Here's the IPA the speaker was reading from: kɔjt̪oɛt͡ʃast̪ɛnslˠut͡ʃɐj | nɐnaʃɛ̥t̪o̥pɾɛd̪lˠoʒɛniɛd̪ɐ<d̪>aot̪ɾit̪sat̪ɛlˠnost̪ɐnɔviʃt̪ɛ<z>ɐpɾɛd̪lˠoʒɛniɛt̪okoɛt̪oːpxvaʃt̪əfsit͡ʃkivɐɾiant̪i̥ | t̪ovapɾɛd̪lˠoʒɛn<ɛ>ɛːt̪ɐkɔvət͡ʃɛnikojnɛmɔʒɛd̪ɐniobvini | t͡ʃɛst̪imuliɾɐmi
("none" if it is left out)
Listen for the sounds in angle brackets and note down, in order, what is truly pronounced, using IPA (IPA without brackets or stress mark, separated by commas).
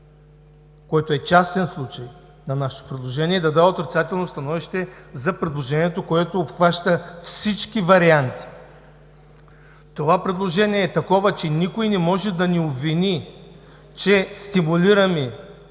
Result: d̪, z, i